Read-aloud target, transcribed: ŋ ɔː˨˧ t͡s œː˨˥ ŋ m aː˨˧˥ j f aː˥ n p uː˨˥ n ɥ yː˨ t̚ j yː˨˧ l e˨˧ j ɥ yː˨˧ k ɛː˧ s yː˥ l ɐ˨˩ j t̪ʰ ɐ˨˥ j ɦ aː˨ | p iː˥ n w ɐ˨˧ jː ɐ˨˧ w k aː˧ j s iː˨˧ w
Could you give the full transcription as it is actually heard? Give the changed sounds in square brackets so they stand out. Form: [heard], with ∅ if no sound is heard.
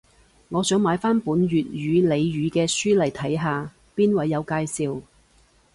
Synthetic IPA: ŋ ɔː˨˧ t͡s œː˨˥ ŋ m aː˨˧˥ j f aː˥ n p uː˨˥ n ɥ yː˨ t̚ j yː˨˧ l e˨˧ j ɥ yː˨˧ k ɛː˧ s yː˥ l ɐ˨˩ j t̪ʰ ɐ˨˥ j ɦ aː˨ | p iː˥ n w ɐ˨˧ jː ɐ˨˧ w k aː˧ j s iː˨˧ w